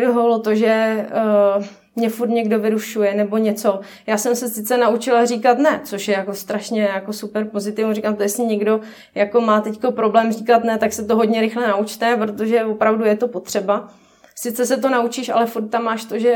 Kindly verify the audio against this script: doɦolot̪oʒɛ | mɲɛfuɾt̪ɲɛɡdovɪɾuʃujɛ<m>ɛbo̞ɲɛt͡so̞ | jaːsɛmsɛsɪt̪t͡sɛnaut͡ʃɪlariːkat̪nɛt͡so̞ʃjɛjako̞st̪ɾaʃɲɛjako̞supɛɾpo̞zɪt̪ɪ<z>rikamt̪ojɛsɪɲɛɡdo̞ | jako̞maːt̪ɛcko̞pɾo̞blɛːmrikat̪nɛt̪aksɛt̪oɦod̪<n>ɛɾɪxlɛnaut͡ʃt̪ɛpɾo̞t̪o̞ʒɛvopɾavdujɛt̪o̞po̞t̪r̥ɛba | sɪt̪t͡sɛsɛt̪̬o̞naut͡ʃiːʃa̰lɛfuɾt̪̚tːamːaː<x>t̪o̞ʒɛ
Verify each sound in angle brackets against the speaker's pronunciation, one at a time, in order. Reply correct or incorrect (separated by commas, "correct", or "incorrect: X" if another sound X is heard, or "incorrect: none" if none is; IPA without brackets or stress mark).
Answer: incorrect: n, incorrect: v, incorrect: ɲ, incorrect: ʃ